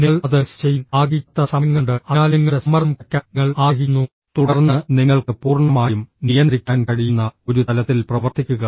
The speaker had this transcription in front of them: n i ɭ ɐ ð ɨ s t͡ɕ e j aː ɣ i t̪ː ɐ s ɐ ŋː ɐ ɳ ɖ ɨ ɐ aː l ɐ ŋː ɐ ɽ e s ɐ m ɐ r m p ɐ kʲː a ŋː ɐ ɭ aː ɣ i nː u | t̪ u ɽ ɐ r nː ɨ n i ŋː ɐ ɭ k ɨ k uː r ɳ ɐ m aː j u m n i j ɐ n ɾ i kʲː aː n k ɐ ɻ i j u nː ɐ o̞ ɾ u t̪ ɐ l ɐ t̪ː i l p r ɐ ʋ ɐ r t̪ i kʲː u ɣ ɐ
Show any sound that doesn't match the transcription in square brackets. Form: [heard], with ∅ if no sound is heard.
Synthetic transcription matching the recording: n i ɭ ɐ ð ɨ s t͡ɕ e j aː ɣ i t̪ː ɐ s ɐ ŋː ɐ ɳ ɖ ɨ ɐ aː l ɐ ŋː ɐ ɽ e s ɐ m ɐ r m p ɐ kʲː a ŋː ɐ ɭ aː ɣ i nː u | t̪ u ɽ ɐ r nː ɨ n i ŋː ɐ ɭ k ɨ [p] uː r ɳ ɐ m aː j u m n i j ɐ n ɾ i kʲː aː n k ɐ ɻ i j u nː ɐ o̞ ɾ u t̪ ɐ l ɐ t̪ː i l p r ɐ ʋ ɐ r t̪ i kʲː u ɣ ɐ